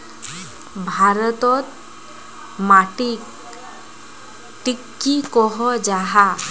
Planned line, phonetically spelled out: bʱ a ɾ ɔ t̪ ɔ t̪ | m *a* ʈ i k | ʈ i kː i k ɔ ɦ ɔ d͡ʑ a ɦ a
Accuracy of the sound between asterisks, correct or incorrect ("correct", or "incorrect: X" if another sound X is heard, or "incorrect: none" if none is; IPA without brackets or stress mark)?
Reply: correct